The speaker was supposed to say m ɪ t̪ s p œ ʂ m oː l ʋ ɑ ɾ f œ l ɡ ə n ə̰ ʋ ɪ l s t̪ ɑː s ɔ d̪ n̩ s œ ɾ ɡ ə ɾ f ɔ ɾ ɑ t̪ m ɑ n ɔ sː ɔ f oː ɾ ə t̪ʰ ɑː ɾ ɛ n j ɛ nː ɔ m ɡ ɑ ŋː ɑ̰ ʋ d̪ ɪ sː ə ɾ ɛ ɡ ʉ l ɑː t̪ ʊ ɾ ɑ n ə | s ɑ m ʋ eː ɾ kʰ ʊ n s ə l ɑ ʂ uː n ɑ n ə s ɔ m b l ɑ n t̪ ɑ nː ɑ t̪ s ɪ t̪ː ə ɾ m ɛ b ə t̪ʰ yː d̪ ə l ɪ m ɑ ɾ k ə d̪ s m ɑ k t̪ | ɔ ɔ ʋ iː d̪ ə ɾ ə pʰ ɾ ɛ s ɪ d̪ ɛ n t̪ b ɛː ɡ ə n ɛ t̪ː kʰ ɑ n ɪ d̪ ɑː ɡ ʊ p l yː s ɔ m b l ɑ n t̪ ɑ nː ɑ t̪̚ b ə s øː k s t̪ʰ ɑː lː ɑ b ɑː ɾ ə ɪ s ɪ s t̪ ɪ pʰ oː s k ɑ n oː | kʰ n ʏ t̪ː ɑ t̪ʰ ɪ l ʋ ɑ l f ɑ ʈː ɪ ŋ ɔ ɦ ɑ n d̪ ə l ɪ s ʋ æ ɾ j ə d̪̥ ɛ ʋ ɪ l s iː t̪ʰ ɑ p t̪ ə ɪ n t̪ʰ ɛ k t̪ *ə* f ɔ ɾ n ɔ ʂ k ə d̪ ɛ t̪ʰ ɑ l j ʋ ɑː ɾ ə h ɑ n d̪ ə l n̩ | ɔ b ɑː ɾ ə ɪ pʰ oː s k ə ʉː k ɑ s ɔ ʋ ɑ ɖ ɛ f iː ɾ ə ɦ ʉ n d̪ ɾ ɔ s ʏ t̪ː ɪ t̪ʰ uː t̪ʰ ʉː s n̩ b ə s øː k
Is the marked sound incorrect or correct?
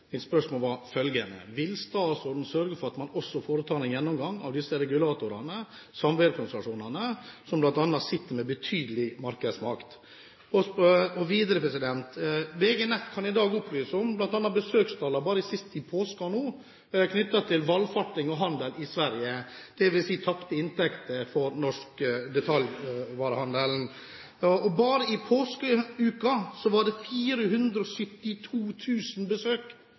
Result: correct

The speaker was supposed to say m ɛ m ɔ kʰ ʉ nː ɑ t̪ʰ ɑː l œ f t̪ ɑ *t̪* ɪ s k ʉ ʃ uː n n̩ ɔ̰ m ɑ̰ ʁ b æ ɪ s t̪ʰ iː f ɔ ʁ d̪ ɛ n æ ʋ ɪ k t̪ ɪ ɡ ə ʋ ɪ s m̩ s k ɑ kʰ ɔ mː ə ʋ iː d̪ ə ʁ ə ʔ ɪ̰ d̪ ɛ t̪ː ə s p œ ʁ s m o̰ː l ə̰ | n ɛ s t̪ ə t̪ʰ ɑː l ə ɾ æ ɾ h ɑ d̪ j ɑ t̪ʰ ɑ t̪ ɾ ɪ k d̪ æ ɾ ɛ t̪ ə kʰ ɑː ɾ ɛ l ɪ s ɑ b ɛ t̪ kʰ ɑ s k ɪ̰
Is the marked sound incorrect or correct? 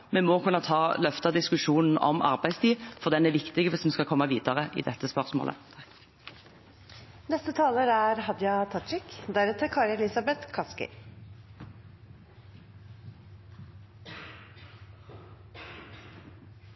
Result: incorrect: d̪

